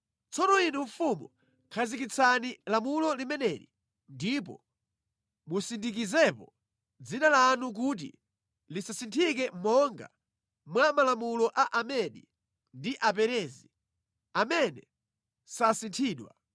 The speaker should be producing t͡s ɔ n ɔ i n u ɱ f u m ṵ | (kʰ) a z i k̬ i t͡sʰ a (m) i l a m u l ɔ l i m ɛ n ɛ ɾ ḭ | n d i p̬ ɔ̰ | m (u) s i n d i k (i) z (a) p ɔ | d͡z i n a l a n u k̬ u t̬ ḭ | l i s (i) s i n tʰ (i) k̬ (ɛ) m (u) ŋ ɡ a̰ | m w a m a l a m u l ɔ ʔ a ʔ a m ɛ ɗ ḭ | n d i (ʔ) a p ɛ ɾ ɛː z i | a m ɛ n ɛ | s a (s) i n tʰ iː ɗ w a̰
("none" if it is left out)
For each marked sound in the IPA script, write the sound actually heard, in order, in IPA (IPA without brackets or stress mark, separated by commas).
kʰ, n, u, i, ɛ, a, i, ɛ, ɔ, ʔ, s